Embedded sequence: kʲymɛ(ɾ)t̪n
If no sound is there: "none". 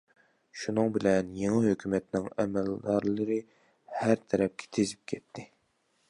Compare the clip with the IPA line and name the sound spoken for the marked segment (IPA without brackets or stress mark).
none